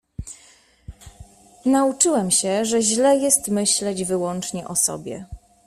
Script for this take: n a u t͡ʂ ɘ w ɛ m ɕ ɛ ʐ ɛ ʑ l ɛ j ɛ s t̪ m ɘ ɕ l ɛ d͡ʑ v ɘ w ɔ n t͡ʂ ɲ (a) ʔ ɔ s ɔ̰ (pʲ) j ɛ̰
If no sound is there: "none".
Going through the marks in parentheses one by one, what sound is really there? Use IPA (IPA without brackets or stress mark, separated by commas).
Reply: ɛ, bʲ